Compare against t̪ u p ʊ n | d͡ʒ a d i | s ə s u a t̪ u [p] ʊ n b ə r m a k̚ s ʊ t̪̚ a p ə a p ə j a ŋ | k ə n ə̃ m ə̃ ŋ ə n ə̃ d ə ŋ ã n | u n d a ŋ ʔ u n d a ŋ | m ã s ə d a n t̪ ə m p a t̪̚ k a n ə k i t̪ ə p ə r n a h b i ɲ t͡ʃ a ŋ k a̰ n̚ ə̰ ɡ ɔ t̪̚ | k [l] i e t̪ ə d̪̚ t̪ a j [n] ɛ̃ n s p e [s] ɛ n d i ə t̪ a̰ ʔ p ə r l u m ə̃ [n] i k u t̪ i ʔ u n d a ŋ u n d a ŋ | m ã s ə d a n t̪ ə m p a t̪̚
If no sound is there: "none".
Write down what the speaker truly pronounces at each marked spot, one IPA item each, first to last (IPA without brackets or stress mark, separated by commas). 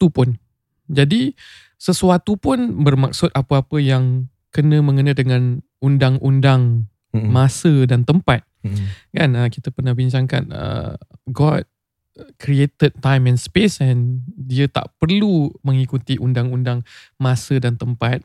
p, ɾ, m, s, ŋ